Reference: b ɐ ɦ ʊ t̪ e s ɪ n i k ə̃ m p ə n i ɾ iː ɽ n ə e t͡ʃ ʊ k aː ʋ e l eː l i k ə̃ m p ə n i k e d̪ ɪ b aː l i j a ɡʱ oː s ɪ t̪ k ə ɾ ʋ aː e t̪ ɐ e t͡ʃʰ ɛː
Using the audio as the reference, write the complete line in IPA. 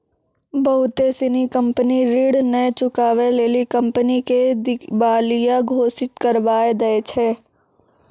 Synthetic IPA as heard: b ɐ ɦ ʊ t̪ e s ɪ n i k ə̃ m p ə n i ɾ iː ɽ n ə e t͡ʃ ʊ k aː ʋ e l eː l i k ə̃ m p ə n i k e d̪ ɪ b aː l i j a ɡʱ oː s ɪ t̪ k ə ɾ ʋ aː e d̪ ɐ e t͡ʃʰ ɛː